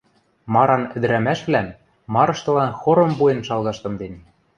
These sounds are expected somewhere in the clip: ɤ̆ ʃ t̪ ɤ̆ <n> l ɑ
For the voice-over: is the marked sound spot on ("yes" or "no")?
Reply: no